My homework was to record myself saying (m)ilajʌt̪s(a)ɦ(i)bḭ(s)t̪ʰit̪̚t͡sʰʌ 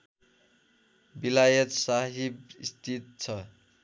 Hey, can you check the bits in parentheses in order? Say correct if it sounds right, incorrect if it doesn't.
incorrect: b, correct, correct, correct

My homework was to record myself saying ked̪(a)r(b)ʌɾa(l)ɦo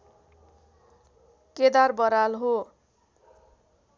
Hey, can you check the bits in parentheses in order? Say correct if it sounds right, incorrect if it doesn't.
correct, correct, correct

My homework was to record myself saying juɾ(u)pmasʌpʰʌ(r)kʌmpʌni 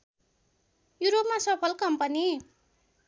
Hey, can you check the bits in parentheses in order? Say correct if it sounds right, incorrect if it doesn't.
incorrect: o, incorrect: l

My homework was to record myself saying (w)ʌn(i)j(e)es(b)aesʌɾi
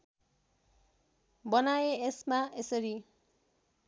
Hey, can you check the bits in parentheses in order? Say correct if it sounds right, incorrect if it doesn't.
incorrect: b, incorrect: a, correct, incorrect: m

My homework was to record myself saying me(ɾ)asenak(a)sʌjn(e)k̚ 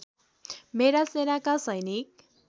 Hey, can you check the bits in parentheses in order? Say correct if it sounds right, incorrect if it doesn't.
correct, correct, incorrect: i

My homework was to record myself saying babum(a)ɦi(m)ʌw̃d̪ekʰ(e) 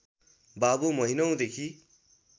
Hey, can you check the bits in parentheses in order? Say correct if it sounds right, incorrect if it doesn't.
incorrect: ʌ, incorrect: n, incorrect: i

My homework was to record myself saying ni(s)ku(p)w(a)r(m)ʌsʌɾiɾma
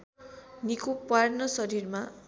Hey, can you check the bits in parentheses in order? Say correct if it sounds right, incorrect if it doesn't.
incorrect: none, correct, correct, incorrect: n

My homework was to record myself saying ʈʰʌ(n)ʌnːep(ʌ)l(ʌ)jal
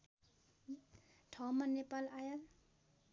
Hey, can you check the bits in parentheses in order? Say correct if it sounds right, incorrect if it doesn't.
incorrect: m, incorrect: a, incorrect: a

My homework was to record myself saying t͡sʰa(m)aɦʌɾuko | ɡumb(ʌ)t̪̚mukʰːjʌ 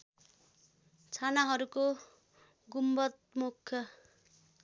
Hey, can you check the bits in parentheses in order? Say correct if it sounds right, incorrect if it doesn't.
incorrect: n, correct

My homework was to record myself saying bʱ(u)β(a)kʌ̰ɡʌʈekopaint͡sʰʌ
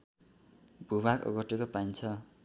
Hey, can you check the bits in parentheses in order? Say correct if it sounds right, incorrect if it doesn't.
correct, correct

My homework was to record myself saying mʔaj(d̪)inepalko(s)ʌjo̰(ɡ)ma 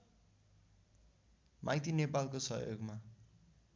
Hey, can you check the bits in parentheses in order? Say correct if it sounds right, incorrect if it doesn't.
incorrect: t̪, correct, correct

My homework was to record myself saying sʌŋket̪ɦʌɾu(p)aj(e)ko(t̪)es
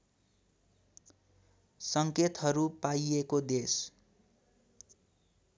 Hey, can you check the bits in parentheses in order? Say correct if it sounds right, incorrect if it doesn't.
correct, correct, incorrect: d̪

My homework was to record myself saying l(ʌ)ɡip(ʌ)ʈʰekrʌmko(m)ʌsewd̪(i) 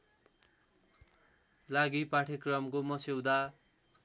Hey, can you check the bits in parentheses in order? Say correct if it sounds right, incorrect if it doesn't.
incorrect: a, incorrect: a, correct, incorrect: a

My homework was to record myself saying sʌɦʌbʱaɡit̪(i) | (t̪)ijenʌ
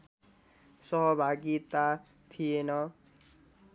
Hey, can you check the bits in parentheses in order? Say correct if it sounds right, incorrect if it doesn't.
incorrect: a, incorrect: t̪ʰ

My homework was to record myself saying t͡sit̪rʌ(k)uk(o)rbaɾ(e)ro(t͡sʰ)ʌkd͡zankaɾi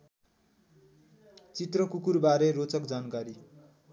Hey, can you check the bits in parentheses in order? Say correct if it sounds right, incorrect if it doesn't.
correct, incorrect: u, correct, incorrect: t͡s

